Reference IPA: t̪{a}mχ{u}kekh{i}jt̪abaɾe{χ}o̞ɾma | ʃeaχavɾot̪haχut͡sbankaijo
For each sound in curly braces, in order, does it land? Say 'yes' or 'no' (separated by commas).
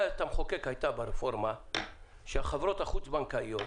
yes, no, no, no